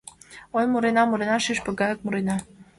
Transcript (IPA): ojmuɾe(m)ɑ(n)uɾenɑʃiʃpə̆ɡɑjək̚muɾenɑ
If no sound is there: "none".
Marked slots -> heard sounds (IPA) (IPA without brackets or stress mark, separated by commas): n, m